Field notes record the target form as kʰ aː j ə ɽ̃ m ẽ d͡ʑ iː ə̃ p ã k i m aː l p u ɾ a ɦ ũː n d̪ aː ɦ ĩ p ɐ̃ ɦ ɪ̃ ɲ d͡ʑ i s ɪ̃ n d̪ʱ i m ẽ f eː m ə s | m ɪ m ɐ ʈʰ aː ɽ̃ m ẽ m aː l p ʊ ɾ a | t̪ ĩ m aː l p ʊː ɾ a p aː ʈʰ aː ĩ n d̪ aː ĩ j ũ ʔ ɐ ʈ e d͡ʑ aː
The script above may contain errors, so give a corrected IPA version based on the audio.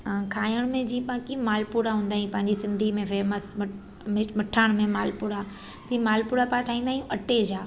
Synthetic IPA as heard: kʰ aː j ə ɽ̃ m ẽ d͡ʑ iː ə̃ p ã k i m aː l p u ɾ a ɦ ũː n d̪ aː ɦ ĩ p ɐ̃ ɦ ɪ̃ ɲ d͡ʑ i s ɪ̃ n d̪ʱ i m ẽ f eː m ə s | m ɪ m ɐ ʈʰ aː ɽ̃ m ẽ m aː l p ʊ ɾ a | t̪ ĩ m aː l p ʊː ɾ a p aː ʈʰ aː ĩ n d̪ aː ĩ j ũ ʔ ɐ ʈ e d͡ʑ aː